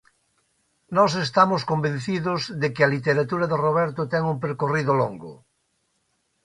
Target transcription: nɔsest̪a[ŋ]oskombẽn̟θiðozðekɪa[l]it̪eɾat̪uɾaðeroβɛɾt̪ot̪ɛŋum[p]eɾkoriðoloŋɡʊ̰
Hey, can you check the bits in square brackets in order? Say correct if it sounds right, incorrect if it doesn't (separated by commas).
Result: incorrect, correct, correct